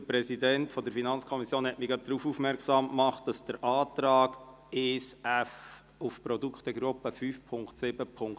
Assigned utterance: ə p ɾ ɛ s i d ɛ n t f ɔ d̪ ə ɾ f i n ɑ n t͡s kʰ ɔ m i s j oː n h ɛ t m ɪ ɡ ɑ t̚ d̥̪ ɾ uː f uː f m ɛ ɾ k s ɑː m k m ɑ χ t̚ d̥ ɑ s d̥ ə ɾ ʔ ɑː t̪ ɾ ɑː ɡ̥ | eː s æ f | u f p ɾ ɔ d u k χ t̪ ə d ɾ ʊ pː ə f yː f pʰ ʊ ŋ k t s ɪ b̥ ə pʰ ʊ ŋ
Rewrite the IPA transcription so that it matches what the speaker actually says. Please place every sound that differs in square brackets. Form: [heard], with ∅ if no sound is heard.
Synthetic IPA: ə p ɾ ɛ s i d ɛ n t f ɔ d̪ ə ɾ f i n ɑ n t͡s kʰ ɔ m i s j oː n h ɛ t m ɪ ɡ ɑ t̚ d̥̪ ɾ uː f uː f m ɛ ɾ k s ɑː m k m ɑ χ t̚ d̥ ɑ s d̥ ə ɾ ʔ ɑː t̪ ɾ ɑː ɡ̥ | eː s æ f | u f p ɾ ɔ d u k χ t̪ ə [ɡ] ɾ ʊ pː ə f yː f pʰ ʊ ŋ k t s ɪ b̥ ə pʰ ʊ ŋ